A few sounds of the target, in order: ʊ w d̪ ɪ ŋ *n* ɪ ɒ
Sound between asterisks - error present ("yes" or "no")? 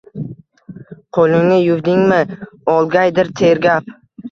yes